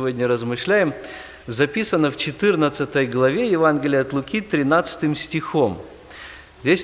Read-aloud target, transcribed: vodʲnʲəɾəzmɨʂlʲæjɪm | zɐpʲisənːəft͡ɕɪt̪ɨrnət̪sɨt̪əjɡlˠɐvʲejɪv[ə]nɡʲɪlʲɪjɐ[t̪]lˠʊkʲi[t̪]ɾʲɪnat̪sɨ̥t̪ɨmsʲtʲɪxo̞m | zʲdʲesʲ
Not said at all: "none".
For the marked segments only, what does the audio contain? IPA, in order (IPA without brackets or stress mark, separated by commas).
a, t̪, t̪